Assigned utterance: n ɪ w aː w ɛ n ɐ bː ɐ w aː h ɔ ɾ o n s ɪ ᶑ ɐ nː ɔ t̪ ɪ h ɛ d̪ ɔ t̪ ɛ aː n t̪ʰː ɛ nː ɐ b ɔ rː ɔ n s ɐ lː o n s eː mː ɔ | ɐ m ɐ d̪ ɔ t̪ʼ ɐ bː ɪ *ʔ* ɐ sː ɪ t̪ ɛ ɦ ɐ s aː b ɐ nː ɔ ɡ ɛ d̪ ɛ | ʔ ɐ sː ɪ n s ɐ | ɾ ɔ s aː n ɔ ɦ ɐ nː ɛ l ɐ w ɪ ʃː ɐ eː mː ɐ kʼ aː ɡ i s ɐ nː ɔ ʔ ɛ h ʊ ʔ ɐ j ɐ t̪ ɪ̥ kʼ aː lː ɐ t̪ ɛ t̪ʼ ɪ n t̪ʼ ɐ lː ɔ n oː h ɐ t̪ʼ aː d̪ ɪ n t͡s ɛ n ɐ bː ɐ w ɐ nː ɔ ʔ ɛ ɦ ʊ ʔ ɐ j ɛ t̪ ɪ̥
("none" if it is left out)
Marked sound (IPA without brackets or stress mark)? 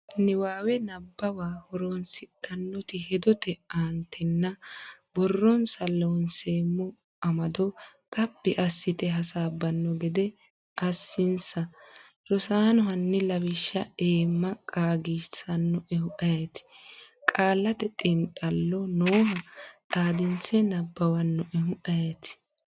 ʔ